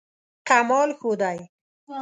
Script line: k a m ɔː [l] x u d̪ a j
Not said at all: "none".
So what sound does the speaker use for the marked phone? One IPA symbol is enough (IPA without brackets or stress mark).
l